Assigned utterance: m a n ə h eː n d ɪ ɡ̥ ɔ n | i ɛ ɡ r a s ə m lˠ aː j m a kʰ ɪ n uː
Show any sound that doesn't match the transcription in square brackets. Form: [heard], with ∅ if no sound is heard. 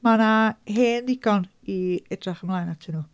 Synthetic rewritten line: m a n [a] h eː n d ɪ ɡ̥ ɔ n | i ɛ [d] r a [χ] ə m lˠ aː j [n] a [tʰ] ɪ n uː